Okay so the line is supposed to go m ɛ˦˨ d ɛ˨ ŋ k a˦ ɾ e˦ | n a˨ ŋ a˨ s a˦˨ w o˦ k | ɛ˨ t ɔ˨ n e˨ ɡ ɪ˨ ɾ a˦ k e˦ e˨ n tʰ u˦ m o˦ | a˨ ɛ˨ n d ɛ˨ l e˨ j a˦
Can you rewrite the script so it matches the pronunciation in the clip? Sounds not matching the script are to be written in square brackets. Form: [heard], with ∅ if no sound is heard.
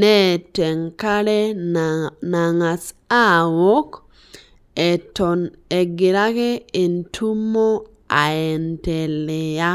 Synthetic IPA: [n] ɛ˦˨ [t] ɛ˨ ŋ k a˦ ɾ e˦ | n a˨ ŋ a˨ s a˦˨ w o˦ k | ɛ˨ t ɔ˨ n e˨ ɡ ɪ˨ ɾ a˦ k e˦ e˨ n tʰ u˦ m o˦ | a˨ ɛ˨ n [t] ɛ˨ l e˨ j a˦

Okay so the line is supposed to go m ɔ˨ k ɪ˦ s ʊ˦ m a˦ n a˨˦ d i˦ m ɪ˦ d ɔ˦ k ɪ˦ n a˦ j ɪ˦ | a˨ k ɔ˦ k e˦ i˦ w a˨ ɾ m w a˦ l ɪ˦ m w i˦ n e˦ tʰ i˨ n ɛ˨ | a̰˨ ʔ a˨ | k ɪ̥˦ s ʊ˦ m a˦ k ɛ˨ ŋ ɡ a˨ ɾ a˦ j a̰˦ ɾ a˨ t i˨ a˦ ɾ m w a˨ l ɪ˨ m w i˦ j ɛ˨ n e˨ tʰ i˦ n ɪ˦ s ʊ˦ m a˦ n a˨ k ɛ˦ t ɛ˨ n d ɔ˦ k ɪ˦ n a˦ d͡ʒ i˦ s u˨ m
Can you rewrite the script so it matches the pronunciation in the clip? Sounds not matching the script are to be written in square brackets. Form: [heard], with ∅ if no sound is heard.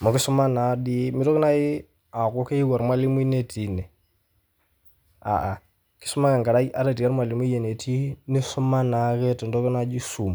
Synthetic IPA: m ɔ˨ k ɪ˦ s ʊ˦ m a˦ n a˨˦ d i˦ m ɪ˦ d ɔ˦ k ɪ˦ n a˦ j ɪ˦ | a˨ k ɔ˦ k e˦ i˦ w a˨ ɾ m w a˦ l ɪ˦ m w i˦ n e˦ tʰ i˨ n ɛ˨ | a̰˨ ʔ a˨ | k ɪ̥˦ s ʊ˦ m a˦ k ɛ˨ ŋ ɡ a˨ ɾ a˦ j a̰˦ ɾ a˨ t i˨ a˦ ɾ m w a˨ l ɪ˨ m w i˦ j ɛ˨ n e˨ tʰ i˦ n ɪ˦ s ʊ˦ m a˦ n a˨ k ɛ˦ t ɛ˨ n d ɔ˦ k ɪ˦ n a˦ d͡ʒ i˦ s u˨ m

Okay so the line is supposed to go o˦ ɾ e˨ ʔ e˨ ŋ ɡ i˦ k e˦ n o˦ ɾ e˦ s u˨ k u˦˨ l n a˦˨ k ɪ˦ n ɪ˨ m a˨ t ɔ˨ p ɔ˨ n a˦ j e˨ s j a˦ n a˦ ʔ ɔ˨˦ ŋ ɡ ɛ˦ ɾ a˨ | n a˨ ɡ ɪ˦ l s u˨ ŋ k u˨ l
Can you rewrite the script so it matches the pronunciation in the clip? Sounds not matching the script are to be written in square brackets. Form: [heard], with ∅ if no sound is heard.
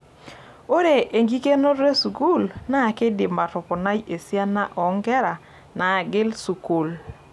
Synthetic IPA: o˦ ɾ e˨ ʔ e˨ ŋ ɡ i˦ k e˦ n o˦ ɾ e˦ s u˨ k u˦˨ l n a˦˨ k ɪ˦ [d] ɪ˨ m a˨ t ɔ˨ p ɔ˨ n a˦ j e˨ s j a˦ n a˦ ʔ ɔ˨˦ ŋ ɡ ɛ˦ ɾ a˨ | n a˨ ɡ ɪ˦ l s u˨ [∅] k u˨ l

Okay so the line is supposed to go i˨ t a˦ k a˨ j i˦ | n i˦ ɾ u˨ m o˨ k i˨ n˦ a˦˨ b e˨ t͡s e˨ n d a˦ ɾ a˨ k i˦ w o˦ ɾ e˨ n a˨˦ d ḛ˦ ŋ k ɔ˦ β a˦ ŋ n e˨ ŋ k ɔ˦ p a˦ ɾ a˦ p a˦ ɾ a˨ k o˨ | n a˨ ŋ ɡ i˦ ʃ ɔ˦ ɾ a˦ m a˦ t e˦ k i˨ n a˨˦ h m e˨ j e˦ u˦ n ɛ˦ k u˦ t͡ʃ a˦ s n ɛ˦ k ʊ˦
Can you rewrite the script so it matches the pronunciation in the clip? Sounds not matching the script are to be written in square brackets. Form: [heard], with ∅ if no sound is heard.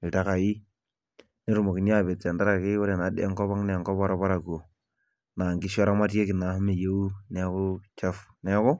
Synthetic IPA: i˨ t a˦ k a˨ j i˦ | n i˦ ɾ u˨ m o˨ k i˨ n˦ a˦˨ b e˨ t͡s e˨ n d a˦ ɾ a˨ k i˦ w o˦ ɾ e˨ n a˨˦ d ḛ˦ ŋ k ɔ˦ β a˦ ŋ n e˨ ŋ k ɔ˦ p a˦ ɾ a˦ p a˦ ɾ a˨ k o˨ | n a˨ ŋ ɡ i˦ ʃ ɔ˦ ɾ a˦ m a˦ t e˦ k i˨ n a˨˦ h m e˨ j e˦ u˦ n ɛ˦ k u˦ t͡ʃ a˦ [f] n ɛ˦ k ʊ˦

